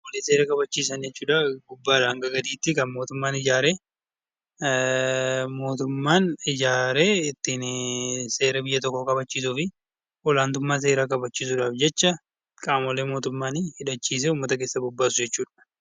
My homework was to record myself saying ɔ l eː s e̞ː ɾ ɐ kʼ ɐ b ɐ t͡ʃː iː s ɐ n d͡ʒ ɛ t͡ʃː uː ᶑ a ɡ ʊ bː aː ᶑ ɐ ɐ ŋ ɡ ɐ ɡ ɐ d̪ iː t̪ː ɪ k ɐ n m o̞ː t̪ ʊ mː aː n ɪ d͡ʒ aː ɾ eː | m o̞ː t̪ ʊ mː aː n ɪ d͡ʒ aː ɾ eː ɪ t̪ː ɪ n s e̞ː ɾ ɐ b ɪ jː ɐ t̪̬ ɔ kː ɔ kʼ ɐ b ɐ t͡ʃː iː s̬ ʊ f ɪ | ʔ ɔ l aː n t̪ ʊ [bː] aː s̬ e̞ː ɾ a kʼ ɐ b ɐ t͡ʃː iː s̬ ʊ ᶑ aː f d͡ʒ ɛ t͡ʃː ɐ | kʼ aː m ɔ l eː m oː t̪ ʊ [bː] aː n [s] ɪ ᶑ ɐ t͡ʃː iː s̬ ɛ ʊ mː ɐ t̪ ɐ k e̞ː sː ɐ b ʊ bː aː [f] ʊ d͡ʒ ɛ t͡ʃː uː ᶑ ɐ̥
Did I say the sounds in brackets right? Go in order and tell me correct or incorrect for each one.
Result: incorrect: mː, incorrect: mː, incorrect: h, incorrect: s

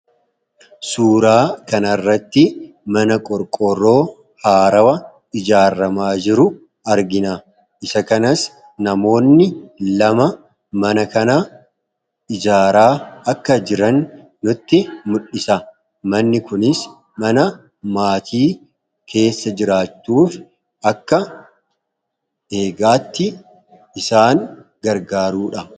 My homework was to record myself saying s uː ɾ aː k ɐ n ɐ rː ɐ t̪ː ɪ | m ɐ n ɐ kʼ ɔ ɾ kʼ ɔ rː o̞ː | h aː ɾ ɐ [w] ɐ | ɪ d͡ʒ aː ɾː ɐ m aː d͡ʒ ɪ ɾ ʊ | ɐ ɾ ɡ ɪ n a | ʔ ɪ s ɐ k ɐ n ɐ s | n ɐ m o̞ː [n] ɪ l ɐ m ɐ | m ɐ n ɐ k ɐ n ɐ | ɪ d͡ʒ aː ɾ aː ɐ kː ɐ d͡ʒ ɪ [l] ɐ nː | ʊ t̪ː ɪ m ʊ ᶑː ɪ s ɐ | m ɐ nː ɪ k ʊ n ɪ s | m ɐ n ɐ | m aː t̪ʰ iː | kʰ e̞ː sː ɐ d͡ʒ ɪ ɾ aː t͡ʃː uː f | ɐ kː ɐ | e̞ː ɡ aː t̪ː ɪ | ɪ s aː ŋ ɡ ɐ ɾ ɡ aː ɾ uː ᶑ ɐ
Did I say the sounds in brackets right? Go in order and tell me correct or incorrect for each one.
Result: correct, incorrect: nː, incorrect: ɾ

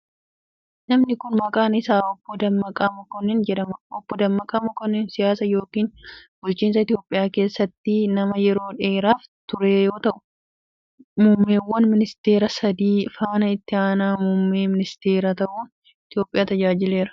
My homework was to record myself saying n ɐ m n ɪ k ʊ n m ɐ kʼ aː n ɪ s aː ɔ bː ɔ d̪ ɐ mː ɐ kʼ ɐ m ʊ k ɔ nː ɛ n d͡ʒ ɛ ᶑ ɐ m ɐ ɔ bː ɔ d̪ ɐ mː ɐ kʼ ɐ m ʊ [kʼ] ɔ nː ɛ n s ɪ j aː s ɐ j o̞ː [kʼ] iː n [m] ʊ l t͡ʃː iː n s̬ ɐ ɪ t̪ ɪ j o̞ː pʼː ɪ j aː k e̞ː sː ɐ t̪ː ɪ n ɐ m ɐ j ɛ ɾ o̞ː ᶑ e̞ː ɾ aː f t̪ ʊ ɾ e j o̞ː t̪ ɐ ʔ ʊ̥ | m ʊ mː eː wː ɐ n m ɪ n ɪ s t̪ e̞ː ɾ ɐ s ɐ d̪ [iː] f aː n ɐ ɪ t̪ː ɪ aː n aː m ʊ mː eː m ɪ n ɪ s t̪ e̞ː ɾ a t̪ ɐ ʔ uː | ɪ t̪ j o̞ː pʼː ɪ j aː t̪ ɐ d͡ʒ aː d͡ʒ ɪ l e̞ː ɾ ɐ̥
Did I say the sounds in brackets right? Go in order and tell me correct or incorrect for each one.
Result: incorrect: k, incorrect: k, incorrect: b, correct

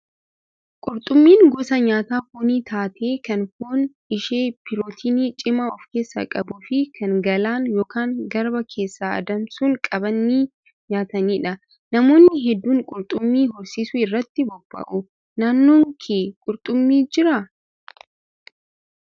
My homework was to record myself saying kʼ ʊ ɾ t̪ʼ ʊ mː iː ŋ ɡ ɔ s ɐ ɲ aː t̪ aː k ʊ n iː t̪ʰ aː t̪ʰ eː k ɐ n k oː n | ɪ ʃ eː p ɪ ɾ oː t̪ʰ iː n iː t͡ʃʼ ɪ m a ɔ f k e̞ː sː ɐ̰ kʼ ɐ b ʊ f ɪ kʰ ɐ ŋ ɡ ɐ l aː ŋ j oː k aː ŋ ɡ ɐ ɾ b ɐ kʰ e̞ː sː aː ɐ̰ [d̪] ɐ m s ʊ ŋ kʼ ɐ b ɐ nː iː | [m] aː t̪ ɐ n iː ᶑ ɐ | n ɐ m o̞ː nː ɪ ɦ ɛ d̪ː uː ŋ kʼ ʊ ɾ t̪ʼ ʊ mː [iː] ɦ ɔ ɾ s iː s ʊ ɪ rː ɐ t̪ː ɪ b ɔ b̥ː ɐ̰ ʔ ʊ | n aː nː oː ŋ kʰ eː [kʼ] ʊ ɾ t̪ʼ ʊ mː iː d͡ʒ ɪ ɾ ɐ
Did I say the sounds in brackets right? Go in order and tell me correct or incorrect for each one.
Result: correct, incorrect: ɲ, correct, correct

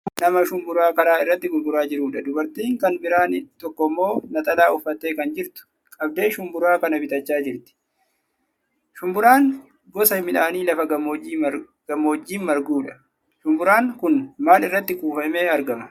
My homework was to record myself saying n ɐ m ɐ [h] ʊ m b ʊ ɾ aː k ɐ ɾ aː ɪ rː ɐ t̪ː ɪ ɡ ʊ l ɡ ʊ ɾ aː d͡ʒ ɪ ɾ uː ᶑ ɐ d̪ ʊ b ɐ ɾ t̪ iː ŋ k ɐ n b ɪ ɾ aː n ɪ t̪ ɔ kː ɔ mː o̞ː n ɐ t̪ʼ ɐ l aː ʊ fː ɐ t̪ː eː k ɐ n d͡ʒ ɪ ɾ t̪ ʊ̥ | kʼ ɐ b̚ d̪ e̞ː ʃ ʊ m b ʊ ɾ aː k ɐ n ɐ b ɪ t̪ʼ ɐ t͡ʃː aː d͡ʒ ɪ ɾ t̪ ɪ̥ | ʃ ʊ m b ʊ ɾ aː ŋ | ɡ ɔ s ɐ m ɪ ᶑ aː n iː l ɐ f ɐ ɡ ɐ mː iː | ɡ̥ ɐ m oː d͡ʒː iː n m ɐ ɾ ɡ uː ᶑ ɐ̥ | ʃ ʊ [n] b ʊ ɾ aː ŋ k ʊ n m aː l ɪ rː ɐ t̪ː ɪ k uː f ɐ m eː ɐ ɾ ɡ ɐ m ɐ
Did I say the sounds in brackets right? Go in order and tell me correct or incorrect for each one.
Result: incorrect: ʃ, incorrect: m

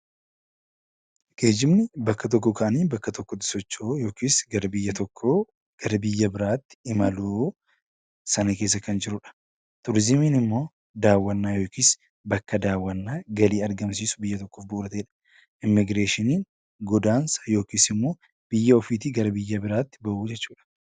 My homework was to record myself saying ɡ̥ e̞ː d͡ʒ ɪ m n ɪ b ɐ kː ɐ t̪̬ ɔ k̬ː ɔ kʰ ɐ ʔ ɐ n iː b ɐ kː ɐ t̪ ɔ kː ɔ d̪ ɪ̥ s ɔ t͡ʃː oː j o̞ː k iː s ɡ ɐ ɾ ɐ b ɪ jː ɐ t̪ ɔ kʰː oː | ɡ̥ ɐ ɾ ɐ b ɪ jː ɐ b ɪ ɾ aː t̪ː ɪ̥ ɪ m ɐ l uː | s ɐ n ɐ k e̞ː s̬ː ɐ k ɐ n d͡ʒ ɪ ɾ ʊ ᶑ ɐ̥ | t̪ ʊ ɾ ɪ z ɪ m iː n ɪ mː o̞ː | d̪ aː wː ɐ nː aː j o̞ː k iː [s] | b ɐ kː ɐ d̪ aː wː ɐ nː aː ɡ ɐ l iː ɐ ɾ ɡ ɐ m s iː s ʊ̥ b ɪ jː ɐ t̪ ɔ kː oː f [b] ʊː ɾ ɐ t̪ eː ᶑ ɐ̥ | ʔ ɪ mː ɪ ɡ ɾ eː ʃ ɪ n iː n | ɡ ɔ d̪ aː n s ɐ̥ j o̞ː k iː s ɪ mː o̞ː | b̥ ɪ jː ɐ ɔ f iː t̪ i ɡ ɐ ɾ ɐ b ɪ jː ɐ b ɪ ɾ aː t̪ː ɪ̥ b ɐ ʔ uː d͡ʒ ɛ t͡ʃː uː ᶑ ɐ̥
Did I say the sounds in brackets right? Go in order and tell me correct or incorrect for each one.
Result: correct, correct

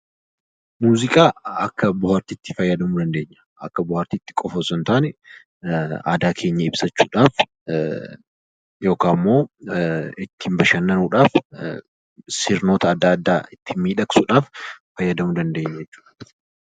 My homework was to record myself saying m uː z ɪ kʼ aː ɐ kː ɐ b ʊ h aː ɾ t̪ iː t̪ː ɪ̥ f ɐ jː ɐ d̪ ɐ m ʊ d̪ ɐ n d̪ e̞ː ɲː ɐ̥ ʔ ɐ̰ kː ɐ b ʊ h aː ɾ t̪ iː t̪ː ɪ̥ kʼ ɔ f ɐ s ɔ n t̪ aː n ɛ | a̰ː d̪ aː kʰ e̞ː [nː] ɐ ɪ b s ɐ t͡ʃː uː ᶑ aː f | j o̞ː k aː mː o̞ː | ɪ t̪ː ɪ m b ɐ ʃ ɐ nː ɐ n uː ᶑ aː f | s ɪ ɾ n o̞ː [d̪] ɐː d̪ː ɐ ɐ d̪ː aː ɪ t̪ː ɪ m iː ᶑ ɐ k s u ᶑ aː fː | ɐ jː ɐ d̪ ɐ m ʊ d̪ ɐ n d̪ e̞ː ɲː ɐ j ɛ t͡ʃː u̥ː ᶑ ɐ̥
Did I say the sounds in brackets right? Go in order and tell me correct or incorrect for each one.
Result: incorrect: ɲː, incorrect: t̪

